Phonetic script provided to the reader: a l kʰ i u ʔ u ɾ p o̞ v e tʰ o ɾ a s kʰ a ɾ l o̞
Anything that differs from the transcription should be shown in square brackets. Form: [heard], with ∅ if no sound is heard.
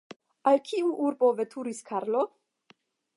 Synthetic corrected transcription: a l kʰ i u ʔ u ɾ [b] o̞ v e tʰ [u] ɾ [i] s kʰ a ɾ l o̞